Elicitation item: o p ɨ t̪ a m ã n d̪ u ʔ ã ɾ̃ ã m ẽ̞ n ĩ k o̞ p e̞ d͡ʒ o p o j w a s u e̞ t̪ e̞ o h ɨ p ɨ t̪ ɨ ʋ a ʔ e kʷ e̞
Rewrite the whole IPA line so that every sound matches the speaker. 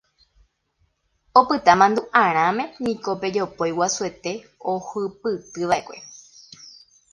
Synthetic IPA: o p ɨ t̪ a m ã n d̪ u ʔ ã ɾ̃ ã m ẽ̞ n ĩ k o̞ p e̞ d͡ʒ o p o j w a s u e̞ t̪ e̞ o h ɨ p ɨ t̪ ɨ ʋ a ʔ e kʷ e̞